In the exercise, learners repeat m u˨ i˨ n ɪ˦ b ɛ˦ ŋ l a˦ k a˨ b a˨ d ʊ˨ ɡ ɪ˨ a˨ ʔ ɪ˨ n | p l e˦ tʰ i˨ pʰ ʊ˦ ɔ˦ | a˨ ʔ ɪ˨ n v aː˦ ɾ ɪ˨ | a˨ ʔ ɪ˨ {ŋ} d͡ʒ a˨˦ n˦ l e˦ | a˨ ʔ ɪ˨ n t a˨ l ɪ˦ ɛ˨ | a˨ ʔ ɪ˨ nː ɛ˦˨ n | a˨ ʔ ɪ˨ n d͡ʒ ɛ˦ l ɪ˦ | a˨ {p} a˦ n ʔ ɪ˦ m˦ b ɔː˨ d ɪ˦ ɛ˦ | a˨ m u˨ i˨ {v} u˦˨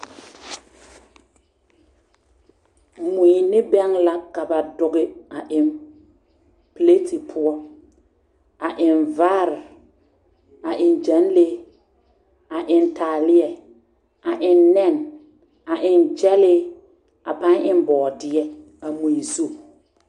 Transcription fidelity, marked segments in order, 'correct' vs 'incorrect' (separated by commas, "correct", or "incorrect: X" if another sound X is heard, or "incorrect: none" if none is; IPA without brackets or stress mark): incorrect: n, correct, incorrect: z